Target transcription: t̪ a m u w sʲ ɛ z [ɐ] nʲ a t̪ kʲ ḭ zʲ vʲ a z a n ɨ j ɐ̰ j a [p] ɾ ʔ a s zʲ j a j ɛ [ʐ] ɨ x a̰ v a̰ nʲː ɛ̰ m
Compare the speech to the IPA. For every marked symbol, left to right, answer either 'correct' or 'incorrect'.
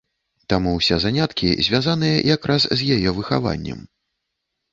incorrect, incorrect, incorrect

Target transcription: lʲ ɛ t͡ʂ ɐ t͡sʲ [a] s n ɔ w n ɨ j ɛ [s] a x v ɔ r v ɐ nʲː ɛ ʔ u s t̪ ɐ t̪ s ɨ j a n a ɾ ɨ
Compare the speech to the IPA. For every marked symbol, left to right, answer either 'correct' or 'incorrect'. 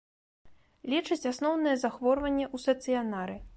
correct, incorrect

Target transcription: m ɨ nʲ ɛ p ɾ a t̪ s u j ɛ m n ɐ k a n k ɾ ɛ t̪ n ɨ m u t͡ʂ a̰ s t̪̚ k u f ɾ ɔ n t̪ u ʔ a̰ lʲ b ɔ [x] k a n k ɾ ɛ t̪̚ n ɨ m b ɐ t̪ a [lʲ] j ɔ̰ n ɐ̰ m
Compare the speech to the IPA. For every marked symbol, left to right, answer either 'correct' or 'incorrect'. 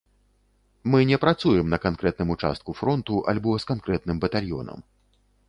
incorrect, correct

